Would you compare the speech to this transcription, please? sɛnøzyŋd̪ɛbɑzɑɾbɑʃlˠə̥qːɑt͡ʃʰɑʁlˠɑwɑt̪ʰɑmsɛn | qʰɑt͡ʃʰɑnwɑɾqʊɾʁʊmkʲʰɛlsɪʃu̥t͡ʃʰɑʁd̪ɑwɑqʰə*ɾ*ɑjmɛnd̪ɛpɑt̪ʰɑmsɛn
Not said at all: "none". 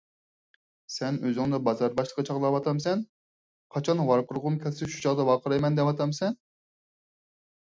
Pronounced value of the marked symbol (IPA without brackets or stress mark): ɾ